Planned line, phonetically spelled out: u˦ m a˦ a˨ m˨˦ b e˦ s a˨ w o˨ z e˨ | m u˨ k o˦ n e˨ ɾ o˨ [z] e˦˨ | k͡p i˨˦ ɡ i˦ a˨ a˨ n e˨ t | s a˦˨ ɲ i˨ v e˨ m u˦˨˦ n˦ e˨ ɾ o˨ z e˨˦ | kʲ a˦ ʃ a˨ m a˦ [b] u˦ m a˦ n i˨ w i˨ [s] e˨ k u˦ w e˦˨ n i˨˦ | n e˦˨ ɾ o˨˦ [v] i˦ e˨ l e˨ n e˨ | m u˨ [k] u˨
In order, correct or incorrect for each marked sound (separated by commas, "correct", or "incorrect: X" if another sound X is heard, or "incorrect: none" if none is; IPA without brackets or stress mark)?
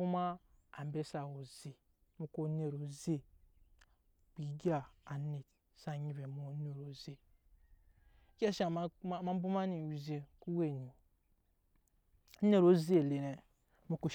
correct, correct, incorrect: z, incorrect: z, correct